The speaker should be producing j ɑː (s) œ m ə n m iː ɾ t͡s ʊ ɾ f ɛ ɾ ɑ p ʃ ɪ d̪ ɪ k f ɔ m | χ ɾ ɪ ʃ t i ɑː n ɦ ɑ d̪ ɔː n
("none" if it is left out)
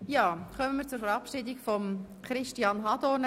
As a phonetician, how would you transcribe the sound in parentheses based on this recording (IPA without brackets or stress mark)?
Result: χ